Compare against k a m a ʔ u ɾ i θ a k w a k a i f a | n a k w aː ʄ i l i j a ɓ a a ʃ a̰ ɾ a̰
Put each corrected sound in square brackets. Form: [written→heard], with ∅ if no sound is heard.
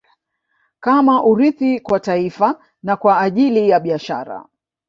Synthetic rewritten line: k a m a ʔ u ɾ i θ [a→i] k w a [k→t] a i f a | n a k w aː ʄ i l i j a ɓ [a→i] a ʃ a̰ ɾ a̰